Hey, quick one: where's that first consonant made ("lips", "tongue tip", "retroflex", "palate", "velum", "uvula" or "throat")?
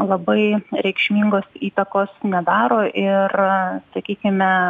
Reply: tongue tip